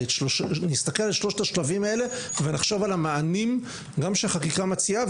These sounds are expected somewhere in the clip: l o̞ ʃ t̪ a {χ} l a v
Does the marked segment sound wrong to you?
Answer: yes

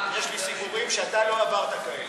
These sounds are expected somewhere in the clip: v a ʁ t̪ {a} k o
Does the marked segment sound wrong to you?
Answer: no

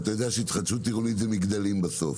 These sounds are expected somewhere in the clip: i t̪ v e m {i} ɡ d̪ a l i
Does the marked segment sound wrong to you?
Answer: no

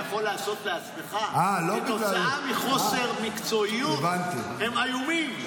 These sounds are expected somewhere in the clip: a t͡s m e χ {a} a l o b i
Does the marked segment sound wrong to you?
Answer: no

